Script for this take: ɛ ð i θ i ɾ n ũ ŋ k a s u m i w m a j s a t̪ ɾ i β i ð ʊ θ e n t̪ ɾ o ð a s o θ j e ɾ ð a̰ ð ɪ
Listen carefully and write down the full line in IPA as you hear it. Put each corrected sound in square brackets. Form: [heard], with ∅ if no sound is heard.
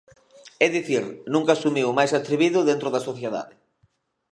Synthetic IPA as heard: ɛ ð i θ i ɾ n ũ ŋ k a s u m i w m a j s a t̪ ɾ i β i ð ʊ [ð] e n t̪ ɾ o ð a s o θ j e [∅] ð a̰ ð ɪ